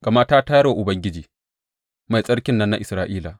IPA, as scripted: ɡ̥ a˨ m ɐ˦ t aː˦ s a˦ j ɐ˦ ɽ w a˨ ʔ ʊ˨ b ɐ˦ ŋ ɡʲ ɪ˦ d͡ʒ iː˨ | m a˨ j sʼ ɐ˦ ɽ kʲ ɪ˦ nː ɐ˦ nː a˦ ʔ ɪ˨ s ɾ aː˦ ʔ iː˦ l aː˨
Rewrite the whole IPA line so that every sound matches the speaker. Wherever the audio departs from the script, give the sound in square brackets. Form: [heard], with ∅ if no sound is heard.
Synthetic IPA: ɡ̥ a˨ m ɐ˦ t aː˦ [t] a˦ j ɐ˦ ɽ w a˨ ʔ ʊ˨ b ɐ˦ ŋ ɡʲ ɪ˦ d͡ʒ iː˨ | m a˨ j sʼ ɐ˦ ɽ kʲ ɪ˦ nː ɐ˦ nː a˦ ʔ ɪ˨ s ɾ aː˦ ʔ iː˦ l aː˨